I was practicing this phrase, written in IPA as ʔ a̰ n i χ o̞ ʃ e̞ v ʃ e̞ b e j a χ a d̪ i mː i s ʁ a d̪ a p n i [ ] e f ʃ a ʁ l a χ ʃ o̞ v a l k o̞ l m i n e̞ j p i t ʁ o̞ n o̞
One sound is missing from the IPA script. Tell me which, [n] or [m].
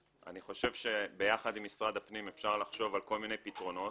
m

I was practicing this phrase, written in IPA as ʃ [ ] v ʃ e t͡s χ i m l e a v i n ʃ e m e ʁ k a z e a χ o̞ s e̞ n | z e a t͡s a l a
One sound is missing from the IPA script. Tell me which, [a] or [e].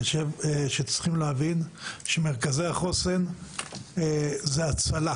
e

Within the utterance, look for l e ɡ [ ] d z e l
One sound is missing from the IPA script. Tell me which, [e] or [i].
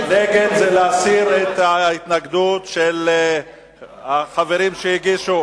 e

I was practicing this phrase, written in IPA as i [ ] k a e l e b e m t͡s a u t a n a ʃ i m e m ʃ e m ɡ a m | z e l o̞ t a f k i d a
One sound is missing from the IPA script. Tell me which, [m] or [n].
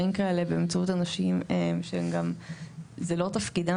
m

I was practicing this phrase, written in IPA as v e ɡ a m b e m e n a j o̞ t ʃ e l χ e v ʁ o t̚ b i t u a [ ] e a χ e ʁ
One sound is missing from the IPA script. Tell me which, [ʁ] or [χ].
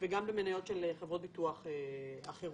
χ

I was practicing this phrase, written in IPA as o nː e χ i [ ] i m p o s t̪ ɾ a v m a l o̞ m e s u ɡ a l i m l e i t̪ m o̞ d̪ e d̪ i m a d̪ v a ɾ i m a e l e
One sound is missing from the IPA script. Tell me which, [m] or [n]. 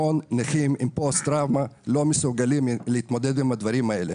m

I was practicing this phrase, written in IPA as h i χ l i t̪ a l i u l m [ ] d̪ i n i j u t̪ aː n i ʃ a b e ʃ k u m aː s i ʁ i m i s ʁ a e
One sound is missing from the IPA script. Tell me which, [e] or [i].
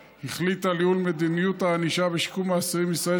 e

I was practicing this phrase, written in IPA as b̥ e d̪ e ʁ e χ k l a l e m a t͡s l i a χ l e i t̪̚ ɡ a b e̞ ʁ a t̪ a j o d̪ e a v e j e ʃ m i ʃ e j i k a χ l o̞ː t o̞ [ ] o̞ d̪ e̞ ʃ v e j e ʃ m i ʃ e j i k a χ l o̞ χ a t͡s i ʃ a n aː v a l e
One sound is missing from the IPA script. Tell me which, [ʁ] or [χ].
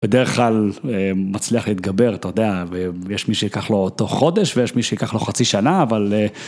χ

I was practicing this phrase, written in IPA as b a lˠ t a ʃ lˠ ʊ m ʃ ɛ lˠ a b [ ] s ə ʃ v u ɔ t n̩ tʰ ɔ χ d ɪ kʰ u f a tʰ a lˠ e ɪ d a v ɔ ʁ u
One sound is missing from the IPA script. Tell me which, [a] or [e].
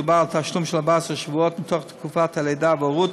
a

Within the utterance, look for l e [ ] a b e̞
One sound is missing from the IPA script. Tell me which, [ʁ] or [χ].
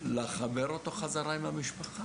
χ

